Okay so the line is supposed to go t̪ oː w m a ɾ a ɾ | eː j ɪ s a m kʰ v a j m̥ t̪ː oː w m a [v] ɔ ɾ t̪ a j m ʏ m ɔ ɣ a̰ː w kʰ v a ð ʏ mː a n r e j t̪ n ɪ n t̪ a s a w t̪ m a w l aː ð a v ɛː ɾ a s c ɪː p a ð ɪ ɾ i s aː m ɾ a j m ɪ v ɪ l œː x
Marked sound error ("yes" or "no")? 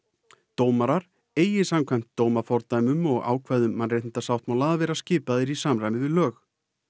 yes